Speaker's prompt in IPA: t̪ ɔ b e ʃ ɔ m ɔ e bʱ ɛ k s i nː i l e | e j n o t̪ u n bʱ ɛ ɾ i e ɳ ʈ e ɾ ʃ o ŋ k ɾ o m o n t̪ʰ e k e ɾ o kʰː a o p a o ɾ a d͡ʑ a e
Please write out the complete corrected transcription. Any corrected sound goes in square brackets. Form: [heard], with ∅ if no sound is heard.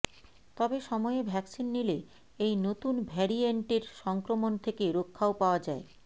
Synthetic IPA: t̪ ɔ b e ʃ ɔ m ɔ e bʱ ɛ k s i nː i l e | e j n o t̪ u n bʱ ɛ ɾ i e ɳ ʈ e ɾ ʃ [ɔ] ŋ k ɾ o m o n t̪ʰ e k e ɾ o kʰː a o p a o [∅] a d͡ʑ a e

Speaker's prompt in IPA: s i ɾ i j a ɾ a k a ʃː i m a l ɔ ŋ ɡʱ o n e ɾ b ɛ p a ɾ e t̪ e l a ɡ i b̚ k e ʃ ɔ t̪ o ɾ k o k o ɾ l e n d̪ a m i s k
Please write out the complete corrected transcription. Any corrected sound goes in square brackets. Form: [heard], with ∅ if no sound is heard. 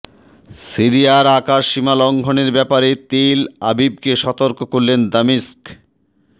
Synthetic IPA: s i ɾ i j a ɾ a k a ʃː i m a l ɔ ŋ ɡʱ o n e ɾ b ɛ p a ɾ e t̪ e l a [b] i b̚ k e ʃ ɔ t̪ o ɾ k o k o ɾ l e n d̪ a m i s k

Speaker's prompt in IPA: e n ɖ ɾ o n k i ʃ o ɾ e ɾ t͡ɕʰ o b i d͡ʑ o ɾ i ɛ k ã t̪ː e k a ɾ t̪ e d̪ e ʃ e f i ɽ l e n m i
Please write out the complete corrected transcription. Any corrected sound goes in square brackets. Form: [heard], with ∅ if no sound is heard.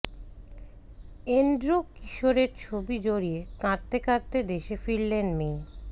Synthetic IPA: e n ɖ ɾ o [∅] k i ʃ o ɾ e ɾ t͡ɕʰ o b i d͡ʑ o ɾ i [e] k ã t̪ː e k a ɾ t̪ e d̪ e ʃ e f i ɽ l e n m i

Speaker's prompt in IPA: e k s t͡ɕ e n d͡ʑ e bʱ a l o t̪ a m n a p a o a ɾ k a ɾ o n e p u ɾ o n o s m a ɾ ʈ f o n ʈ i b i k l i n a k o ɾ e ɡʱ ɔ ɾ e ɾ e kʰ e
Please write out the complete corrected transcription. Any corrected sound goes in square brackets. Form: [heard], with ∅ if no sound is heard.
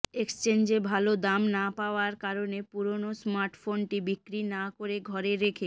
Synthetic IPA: e k s t͡ɕ e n d͡ʑ e bʱ a l o [d̪] a m n a p a o a ɾ k a ɾ o n e p u ɾ o n o s m a ɾ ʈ f o n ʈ i b i k [ɾ] i n a k o ɾ e ɡʱ ɔ ɾ e ɾ e kʰ e

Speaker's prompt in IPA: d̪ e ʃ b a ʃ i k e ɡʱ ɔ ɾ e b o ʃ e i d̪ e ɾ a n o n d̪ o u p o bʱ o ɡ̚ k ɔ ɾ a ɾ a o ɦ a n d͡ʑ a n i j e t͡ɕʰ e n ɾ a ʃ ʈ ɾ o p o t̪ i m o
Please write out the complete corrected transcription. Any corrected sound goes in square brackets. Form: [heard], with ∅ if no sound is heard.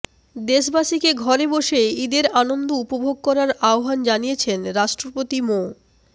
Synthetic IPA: d̪ e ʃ b a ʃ i k e ɡʱ ɔ ɾ e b o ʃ e i d̪ e ɾ a n o n d̪ o u p o bʱ o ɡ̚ k ɔ ɾ a ɾ a o ɦ a n d͡ʑ a n i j e t͡ɕʰ e n ɾ a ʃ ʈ ɾ o p o t̪ i m o

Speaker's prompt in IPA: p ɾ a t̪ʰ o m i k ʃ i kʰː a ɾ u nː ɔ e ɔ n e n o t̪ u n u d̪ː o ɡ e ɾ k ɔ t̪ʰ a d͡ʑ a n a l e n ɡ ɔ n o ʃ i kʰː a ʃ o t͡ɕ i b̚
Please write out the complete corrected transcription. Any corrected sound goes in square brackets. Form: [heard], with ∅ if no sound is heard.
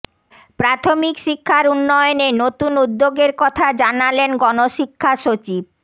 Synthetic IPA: p ɾ a t̪ʰ o m i k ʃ i kʰː a ɾ u nː ɔ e [o] n e n o t̪ u n u d̪ː o ɡ e ɾ k ɔ t̪ʰ a d͡ʑ a n a l e n ɡ ɔ n o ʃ i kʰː a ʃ o t͡ɕ i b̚

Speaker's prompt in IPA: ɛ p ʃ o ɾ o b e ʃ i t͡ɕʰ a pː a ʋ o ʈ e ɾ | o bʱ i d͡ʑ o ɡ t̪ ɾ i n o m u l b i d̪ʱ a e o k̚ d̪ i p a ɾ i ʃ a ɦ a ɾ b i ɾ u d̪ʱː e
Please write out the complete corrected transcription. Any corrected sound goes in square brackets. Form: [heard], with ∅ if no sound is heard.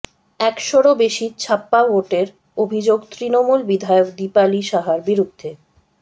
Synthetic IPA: ɛ [k] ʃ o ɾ o b e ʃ i t͡ɕʰ a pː a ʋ o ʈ e ɾ | o bʱ i d͡ʑ o ɡ t̪ ɾ i n o m u l b i d̪ʱ a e o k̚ d̪ i p a [l] i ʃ a ɦ a ɾ b i ɾ u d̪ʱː e

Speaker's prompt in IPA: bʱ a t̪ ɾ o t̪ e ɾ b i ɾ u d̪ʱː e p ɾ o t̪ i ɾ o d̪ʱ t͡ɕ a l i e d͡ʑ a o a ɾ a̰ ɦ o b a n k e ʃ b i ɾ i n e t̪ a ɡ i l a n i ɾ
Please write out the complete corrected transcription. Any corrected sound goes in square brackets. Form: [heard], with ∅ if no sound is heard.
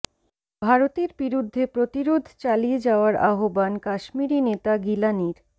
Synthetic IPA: bʱ a [∅] ɾ o t̪ e ɾ b i ɾ u d̪ʱː e p ɾ o t̪ i ɾ o d̪ʱ t͡ɕ a l i e d͡ʑ a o a ɾ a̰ ɦ o b a n k [a] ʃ [m] i ɾ i n e t̪ a ɡ i l a n i ɾ

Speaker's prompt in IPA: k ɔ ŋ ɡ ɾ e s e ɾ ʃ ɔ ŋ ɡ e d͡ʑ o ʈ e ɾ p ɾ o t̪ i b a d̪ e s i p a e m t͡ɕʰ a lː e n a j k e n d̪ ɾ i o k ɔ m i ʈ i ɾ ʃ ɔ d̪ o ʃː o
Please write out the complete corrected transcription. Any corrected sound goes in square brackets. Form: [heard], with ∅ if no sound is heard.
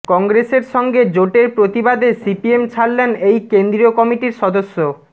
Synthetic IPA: k ɔ ŋ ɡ ɾ e s e ɾ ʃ ɔ ŋ ɡ e d͡ʑ o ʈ e ɾ p ɾ o t̪ i b a d̪ e s i p [i] e m t͡ɕʰ a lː e n [e] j k e n d̪ ɾ i o k ɔ m i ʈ i ɾ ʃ ɔ d̪ o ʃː o

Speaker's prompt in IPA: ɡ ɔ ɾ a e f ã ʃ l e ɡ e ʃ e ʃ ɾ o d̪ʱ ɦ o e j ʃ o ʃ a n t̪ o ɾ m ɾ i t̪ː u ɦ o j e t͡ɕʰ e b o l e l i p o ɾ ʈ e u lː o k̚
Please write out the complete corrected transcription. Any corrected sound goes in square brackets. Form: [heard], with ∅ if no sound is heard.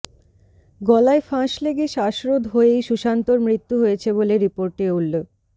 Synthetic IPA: ɡ ɔ [l] a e f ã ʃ l e ɡ e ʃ [a] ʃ ɾ o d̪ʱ ɦ o e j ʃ [u] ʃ a n t̪ o ɾ m ɾ i t̪ː u ɦ o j e t͡ɕʰ e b o l e [ɾ] i p o ɾ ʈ e u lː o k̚

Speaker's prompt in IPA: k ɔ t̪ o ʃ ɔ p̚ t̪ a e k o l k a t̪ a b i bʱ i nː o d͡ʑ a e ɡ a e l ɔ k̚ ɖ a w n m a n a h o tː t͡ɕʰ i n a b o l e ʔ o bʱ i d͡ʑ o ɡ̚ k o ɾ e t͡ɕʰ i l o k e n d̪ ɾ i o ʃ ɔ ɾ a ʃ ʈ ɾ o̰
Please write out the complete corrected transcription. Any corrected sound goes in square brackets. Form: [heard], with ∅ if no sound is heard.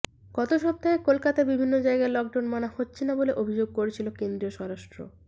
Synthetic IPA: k ɔ t̪ o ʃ ɔ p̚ t̪ a e k o l k a t̪ a b i bʱ i nː o d͡ʑ a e ɡ a e l ɔ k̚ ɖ a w n m a n a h o tː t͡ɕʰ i n a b o l e ʔ o bʱ i d͡ʑ o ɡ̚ k o ɾ e t͡ɕʰ i l o k e n d̪ ɾ i o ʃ ɔ ɾ a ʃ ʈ ɾ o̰

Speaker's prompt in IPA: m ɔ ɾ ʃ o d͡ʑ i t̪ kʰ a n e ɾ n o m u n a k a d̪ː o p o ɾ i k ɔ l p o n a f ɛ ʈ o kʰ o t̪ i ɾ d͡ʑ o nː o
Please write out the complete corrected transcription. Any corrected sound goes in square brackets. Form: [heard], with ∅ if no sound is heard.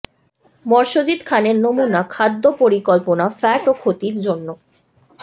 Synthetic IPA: m ɔ ɾ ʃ o d͡ʑ i t̪ kʰ a n e ɾ n o m u n a [kʰ] a d̪ː o p o ɾ i k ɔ l p o n a f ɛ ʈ o kʰ o t̪ i ɾ d͡ʑ o nː o

